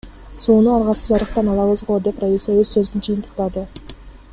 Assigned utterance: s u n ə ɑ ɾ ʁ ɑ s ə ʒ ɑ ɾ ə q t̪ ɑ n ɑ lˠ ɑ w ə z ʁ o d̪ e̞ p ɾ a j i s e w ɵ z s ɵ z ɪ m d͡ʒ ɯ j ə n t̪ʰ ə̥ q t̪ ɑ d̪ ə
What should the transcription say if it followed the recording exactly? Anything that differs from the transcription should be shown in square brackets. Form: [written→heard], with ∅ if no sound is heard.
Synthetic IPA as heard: s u n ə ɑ ɾ ʁ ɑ s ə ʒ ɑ ɾ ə q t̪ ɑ n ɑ lˠ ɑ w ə z ʁ o d̪ e̞ p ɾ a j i s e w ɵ z s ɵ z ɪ [m→n] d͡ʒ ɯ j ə n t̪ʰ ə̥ q t̪ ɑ d̪ ə